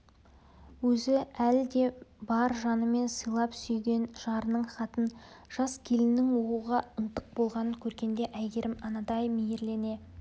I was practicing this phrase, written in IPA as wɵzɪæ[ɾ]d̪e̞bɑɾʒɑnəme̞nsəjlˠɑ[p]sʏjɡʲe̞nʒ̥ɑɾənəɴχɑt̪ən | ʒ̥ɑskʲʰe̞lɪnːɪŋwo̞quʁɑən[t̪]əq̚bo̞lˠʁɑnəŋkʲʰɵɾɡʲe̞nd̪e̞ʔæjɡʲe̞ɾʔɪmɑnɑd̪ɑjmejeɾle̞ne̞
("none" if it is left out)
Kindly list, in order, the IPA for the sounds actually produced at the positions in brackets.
l, p, t̪

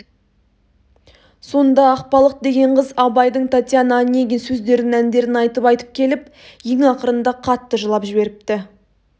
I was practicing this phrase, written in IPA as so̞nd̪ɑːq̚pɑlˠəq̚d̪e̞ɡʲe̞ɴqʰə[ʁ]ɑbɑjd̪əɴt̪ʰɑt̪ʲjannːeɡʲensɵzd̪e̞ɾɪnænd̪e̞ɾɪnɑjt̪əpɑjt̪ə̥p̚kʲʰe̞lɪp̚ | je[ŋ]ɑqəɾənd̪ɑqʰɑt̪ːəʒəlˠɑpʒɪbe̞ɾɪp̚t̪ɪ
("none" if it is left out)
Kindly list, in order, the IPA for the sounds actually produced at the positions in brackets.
z, ŋ

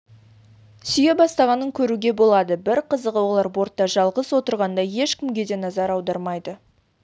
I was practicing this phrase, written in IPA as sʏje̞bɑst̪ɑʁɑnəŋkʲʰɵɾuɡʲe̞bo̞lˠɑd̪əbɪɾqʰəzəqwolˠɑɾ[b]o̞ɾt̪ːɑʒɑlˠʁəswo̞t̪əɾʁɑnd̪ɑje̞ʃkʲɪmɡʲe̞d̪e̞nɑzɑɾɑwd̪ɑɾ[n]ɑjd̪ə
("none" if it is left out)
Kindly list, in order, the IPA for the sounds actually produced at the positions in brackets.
b, m

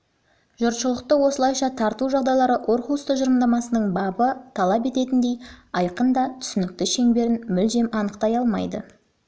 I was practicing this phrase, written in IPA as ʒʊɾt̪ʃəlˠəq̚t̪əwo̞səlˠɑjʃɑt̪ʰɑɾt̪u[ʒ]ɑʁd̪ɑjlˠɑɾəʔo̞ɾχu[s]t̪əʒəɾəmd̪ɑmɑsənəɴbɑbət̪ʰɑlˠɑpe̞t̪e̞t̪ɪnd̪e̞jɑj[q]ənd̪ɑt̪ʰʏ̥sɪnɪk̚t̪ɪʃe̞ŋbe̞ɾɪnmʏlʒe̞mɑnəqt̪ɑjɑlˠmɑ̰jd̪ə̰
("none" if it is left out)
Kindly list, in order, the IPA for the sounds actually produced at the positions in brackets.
ʒ, s, q

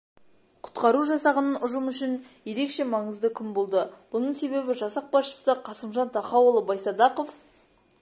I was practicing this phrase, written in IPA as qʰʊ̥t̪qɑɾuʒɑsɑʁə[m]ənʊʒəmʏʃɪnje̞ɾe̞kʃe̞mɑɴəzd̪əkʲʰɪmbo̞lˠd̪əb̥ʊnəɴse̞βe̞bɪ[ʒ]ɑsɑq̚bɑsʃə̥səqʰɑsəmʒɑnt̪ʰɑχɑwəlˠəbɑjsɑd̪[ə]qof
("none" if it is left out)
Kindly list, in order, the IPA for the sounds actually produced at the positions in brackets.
n, ʒ, ɑ

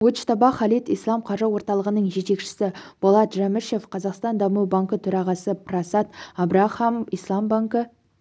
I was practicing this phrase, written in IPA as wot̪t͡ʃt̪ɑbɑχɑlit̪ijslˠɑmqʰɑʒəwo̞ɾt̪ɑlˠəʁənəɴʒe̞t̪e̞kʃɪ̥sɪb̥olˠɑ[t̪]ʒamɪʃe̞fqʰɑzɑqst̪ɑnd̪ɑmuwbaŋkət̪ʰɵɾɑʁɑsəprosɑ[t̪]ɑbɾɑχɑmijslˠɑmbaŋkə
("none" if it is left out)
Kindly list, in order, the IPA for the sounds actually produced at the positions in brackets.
t̪, t̪

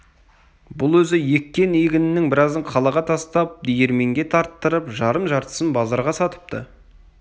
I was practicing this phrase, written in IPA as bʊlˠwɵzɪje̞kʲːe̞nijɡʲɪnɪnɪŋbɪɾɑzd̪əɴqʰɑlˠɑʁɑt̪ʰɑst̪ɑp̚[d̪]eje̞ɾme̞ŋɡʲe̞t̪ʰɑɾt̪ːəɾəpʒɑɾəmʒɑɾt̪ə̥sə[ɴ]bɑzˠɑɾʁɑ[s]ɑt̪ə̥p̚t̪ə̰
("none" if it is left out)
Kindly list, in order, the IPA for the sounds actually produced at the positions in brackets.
d̪, n, s

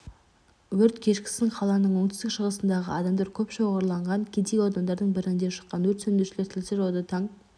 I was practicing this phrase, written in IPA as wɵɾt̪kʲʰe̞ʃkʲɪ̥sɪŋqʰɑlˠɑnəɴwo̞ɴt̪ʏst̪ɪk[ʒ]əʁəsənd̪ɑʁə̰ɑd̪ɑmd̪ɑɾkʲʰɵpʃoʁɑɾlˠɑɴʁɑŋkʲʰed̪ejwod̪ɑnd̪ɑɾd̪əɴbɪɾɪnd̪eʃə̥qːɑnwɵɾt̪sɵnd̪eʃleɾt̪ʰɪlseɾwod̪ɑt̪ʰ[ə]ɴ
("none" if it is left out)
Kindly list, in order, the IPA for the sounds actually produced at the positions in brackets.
ʃ, ɑ

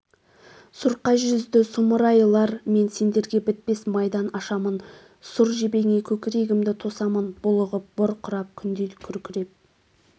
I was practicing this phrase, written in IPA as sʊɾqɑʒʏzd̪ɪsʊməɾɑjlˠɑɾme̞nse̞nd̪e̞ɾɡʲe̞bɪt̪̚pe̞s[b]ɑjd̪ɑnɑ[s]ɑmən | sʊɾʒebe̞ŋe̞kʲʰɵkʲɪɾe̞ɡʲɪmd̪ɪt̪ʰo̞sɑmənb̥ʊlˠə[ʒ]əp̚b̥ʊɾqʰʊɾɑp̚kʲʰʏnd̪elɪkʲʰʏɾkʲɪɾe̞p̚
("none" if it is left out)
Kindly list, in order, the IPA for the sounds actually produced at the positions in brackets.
m, ʃ, ʁ

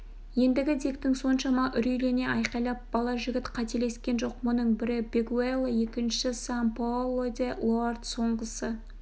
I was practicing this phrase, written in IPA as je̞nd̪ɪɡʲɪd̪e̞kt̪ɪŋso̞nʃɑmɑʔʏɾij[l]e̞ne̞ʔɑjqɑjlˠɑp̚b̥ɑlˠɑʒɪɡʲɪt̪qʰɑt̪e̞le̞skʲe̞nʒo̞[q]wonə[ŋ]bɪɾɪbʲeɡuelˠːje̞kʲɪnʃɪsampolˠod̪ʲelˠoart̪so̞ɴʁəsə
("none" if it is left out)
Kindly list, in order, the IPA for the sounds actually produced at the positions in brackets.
l, q, ɴ

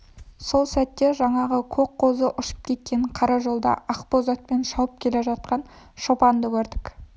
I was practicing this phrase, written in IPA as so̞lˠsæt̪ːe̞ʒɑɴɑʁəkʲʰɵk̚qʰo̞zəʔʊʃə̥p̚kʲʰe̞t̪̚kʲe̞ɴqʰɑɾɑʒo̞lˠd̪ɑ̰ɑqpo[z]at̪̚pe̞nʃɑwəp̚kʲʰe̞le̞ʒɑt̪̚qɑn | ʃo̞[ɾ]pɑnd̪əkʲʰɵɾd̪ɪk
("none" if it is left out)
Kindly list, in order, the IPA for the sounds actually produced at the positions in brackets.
z, none

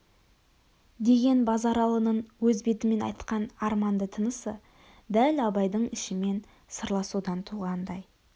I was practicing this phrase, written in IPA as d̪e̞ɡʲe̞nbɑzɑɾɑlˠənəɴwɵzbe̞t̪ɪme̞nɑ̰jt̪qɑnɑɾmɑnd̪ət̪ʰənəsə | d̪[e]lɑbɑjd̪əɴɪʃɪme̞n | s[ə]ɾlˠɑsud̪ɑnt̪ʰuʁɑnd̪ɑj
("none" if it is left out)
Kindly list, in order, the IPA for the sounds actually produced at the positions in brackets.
æ, ə

